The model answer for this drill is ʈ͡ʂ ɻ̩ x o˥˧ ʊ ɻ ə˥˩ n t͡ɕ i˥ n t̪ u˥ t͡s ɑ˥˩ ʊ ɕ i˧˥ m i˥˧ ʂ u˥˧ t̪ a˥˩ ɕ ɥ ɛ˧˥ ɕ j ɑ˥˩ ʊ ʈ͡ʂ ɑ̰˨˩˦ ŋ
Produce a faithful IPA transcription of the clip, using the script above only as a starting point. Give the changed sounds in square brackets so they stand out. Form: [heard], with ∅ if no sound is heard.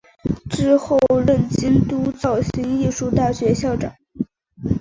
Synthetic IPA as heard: ʈ͡ʂ ɻ̩ x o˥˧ ʊ ɻ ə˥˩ n t͡ɕ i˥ n t̪ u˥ t͡s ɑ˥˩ ʊ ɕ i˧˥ [ŋ] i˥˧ ʂ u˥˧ t̪ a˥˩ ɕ ɥ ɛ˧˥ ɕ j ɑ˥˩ ʊ ʈ͡ʂ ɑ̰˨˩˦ ŋ

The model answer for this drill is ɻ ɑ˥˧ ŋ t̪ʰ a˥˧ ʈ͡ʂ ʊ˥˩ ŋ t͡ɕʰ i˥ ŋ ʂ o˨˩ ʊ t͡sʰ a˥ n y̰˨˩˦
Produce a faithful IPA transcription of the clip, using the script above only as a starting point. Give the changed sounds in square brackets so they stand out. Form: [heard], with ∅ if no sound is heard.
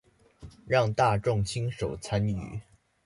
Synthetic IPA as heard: ɻ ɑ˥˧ ŋ [t̪] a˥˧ ʈ͡ʂ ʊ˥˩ ŋ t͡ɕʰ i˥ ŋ ʂ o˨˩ ʊ t͡sʰ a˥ n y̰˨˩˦

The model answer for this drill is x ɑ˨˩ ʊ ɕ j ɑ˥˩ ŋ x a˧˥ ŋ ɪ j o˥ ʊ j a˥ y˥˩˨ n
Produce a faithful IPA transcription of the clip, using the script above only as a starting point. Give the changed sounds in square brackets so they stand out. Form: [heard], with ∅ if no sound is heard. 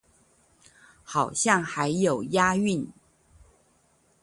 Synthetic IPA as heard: x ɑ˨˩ ʊ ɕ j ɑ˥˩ ŋ x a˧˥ [∅] ɪ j [o˨˩] ʊ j a˥ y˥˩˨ n

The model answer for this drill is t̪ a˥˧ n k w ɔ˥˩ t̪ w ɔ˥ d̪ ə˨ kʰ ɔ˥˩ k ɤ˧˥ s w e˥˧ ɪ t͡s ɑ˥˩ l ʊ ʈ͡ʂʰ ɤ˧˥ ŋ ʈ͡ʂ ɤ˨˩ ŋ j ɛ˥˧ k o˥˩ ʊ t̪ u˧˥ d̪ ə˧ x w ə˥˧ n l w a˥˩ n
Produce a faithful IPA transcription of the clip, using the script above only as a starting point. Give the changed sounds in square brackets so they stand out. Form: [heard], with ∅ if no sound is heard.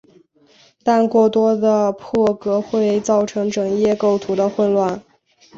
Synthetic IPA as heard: t̪ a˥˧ n k w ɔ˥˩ t̪ w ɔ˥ d̪ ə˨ [pʰ] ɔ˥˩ k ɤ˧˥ [x] w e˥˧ ɪ t͡s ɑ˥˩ [∅] ʊ ʈ͡ʂʰ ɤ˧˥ ŋ ʈ͡ʂ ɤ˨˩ ŋ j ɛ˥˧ k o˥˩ ʊ [t̪ʰ] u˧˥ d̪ ə˧ x w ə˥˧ n l w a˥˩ n

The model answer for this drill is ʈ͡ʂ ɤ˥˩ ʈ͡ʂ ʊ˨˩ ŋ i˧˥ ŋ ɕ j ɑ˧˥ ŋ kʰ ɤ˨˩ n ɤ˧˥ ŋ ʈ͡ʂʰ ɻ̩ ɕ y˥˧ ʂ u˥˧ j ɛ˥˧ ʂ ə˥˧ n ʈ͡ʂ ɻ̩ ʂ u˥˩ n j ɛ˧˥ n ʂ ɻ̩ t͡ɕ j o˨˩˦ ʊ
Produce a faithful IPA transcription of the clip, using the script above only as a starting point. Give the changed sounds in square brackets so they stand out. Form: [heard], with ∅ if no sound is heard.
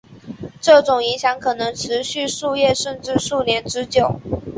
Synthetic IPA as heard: ʈ͡ʂ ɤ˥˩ ʈ͡ʂ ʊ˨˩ ŋ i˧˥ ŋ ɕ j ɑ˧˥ ŋ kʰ ɤ˨˩ n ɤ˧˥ ŋ ʈ͡ʂʰ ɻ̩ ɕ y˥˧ ʂ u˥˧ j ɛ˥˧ ʂ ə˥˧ n ʈ͡ʂ ɻ̩ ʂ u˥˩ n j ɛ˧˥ n [ʈ͡ʂ] ɻ̩ t͡ɕ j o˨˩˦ ʊ

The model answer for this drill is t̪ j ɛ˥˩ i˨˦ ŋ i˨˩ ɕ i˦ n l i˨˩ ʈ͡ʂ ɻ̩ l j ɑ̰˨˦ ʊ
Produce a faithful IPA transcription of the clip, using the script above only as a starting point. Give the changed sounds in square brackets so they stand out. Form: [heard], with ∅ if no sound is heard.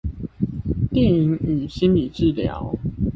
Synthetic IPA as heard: t̪ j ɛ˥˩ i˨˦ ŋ [y˨˩] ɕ i˦ n l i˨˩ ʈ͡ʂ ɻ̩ l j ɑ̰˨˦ ʊ

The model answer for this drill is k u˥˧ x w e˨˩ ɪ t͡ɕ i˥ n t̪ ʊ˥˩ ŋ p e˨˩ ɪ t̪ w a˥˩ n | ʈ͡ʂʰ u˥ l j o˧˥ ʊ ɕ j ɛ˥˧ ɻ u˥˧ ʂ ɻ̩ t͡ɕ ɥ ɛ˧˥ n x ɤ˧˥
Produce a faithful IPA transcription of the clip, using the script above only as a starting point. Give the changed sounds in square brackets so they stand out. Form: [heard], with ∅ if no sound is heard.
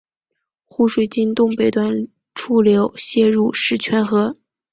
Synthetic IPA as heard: [x] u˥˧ [ʂ] w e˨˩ ɪ t͡ɕ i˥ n t̪ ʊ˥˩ ŋ p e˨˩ ɪ t̪ w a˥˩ n | ʈ͡ʂʰ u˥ l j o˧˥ ʊ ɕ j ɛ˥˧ ɻ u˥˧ ʂ ɻ̩ [t͡ɕʰ] ɥ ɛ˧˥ n x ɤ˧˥

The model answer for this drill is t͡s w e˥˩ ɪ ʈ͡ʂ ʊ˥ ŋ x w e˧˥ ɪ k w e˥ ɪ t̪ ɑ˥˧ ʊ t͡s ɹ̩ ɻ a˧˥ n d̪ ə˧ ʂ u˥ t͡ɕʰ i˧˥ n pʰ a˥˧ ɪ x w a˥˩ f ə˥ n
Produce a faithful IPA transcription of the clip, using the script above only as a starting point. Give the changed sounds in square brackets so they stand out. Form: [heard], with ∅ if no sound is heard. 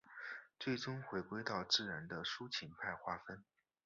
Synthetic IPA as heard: t͡s w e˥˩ ɪ ʈ͡ʂ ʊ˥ ŋ x w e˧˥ ɪ k w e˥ ɪ t̪ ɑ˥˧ ʊ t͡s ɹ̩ ɻ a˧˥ n d̪ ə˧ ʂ u˥ t͡ɕʰ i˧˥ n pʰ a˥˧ ɪ x w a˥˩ f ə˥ n

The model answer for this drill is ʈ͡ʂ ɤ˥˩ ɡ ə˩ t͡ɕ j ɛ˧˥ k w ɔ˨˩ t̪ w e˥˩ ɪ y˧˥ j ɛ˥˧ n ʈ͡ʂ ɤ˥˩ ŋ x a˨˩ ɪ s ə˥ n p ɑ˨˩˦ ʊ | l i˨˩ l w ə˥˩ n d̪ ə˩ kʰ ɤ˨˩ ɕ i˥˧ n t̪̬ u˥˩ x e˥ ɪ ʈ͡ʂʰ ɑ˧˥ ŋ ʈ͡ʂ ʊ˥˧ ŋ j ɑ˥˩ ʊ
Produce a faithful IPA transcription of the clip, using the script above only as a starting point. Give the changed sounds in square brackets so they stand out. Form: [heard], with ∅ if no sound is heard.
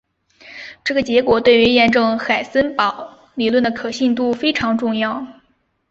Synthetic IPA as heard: ʈ͡ʂ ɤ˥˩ ɡ ə˩ t͡ɕ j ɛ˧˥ k w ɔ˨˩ t̪ w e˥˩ ɪ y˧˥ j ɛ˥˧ n ʈ͡ʂ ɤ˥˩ ŋ x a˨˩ ɪ s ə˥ n p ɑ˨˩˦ ʊ | l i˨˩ l w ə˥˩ n d̪ ə˩ kʰ ɤ˨˩ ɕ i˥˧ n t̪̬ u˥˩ [f] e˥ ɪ ʈ͡ʂʰ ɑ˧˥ ŋ ʈ͡ʂ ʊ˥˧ ŋ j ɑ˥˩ ʊ

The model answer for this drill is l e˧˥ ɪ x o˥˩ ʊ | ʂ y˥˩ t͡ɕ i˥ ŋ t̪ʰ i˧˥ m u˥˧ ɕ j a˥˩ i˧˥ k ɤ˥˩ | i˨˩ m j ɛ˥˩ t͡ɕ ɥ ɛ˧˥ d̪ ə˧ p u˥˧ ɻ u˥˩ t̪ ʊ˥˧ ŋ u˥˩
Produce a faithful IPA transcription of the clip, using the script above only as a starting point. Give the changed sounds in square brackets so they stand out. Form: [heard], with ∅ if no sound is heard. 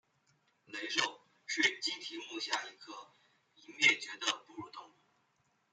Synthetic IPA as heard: l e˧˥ ɪ [ʂ] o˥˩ ʊ | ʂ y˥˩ t͡ɕ i˥ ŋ t̪ʰ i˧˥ m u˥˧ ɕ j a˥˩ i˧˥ [kʰ] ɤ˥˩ | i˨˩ m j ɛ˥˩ t͡ɕ ɥ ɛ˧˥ d̪ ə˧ p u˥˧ ɻ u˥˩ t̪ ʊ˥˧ ŋ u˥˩

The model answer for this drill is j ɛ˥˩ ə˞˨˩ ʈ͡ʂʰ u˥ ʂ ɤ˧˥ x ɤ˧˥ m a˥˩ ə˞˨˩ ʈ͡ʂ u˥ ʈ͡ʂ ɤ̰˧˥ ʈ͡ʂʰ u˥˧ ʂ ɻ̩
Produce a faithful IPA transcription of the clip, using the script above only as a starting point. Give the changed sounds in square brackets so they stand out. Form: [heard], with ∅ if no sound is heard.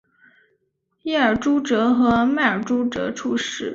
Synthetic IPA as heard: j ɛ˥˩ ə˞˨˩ [ʈ͡ʂ] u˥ [ʈ͡ʂ] ɤ˧˥ x ɤ˧˥ m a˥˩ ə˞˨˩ ʈ͡ʂ u˥ ʈ͡ʂ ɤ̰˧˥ ʈ͡ʂʰ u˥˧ ʂ ɻ̩

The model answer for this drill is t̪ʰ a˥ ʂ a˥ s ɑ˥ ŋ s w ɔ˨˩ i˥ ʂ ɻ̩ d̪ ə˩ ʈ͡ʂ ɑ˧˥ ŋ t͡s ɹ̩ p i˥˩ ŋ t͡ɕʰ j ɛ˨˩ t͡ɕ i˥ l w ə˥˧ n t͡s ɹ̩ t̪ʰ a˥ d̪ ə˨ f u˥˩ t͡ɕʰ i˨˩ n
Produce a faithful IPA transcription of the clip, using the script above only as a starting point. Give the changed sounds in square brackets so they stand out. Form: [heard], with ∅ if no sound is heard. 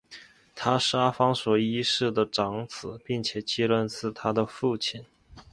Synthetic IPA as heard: t̪ʰ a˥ ʂ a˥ [f] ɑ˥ ŋ s w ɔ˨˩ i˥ ʂ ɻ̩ d̪ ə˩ ʈ͡ʂ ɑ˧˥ ŋ t͡s ɹ̩ p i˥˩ ŋ t͡ɕʰ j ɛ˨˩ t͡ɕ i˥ l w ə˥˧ n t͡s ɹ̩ t̪ʰ a˥ d̪ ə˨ f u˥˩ t͡ɕʰ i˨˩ n

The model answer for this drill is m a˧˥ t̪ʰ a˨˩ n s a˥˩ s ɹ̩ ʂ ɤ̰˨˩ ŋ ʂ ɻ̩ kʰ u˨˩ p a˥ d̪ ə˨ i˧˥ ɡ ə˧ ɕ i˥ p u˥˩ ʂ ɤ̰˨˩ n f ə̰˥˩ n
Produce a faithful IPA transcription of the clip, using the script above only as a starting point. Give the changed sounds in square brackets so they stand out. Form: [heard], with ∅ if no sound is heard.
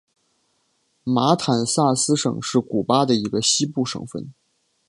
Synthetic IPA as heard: m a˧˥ t̪ʰ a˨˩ n s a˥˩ s ɹ̩ ʂ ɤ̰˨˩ ŋ ʂ ɻ̩ [k] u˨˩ p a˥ d̪ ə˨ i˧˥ ɡ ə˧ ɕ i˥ p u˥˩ ʂ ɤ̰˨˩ [ŋ] f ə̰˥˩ n

